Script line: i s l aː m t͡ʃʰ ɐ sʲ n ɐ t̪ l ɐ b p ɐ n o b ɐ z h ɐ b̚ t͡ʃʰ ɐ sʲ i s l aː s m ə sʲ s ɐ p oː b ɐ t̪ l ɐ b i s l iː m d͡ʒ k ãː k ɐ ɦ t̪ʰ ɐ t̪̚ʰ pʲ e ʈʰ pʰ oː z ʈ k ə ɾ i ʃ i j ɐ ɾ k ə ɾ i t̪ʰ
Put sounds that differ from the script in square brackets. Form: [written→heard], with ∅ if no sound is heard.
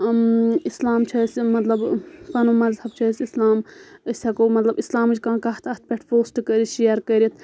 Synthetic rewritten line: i s l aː m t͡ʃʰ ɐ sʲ [n→m] ɐ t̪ l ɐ b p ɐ n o [b→m] ɐ z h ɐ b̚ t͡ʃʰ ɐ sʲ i s l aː [s→∅] m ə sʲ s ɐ [p→k] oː [b→m] ɐ t̪ l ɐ b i s l [iː→aː] m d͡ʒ k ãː k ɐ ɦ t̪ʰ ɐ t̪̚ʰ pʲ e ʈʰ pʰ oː [z→s] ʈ k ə ɾ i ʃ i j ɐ ɾ k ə ɾ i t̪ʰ